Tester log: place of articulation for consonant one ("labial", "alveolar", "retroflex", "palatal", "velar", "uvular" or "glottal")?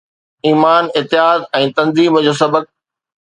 labial